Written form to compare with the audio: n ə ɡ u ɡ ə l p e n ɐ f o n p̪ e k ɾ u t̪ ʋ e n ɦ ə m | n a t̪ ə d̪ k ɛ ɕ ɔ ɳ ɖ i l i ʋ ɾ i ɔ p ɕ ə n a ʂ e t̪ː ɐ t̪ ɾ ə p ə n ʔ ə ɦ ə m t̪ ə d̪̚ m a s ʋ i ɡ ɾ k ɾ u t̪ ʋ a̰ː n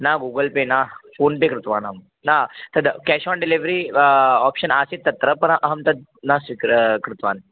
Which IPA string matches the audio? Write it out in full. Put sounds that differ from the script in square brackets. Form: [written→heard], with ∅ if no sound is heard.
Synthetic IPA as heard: n [ə→a] ɡ u ɡ ə l p e n [ɐ→a] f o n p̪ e k ɾ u t̪ ʋ [e→a] n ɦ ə m | n a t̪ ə d̪ k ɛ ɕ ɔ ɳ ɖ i l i ʋ ɾ i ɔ p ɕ ə n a [ʂ→s] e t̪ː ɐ t̪ ɾ ə p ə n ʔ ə ɦ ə m t̪ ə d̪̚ [m→n] a s ʋ i [ɡ→k] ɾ k ɾ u t̪ ʋ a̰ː n